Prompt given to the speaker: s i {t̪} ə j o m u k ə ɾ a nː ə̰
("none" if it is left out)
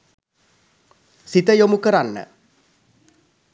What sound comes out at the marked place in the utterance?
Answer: t̪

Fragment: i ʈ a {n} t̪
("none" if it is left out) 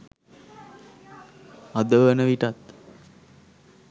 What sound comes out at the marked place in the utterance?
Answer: none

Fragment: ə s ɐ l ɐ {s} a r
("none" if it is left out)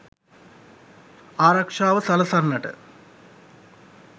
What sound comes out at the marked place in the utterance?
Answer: s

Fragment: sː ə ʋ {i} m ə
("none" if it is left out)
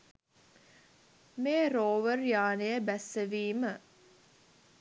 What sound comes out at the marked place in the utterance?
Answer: iː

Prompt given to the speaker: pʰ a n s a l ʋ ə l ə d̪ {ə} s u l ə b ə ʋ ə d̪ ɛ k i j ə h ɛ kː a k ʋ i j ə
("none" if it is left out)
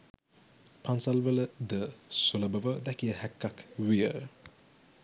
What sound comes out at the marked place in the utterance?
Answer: ə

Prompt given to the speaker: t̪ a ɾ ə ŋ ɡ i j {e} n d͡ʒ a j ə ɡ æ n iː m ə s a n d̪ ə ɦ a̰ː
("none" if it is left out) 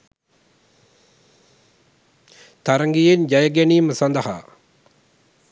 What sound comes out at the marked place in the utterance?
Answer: e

